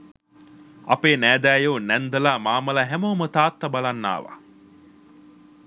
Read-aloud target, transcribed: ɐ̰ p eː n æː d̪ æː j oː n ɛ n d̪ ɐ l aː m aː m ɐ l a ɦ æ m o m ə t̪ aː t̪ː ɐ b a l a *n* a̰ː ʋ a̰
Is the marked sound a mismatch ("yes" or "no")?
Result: yes